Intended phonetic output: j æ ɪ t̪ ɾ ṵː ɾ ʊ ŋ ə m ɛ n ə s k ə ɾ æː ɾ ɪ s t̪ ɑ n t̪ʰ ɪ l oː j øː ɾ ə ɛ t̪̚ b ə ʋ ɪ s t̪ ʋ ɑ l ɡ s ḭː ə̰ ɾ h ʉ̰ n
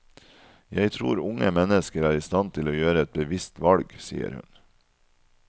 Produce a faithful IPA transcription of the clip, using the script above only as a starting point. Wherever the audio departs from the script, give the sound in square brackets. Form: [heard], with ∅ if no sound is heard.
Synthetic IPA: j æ ɪ [t̪ʰ] ɾ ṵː ɾ ʊ ŋ ə m ɛ n ə s k ə ɾ æː ɾ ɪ s t̪ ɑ n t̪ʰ ɪ l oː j øː ɾ ə ɛ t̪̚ b ə ʋ ɪ s t̪ ʋ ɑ l ɡ s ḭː ə̰ ɾ h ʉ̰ n